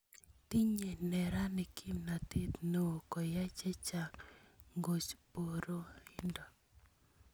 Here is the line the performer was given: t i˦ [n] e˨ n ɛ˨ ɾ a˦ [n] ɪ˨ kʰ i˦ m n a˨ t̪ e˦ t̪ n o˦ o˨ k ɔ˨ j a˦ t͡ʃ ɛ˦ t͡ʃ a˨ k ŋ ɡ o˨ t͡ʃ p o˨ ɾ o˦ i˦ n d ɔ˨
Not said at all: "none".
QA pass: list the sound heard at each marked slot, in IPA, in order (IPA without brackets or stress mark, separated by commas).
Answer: ɲ, n